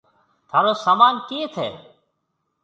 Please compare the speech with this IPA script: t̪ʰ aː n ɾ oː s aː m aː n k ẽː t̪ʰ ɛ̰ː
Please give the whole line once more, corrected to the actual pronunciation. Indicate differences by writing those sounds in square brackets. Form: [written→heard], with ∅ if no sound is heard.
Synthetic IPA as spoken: t̪ʰ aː [n→∅] ɾ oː s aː m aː n k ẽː t̪ʰ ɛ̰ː